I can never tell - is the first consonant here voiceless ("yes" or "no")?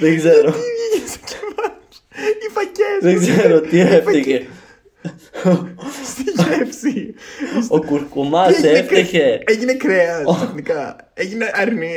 no